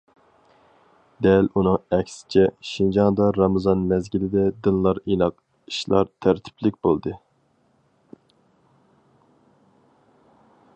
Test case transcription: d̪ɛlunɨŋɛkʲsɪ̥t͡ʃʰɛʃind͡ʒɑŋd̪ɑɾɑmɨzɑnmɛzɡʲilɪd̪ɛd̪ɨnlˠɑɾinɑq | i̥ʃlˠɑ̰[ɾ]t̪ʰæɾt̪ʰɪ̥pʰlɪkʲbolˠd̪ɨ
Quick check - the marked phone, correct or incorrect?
correct